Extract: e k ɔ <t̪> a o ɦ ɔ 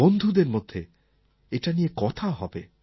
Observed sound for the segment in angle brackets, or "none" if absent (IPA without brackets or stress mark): t̪ʰ